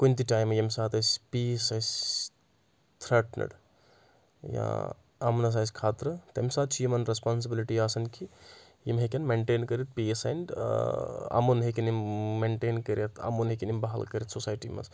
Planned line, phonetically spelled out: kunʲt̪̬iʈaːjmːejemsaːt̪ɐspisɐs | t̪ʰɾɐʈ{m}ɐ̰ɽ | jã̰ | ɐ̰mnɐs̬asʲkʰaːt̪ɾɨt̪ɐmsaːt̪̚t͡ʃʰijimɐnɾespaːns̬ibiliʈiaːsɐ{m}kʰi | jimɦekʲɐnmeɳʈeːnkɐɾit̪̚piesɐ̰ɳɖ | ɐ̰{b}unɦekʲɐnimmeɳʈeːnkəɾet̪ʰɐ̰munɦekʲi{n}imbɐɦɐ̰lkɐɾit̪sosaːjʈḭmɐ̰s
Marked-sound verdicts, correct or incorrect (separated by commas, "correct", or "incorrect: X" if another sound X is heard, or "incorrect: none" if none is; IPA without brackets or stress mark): incorrect: n, incorrect: n, incorrect: m, correct